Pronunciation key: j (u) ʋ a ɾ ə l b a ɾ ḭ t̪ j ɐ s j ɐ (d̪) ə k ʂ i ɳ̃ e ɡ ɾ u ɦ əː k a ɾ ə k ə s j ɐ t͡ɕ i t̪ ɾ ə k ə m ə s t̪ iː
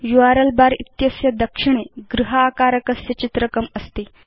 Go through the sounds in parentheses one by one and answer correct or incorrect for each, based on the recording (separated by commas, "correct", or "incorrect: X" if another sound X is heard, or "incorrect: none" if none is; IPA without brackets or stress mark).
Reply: correct, correct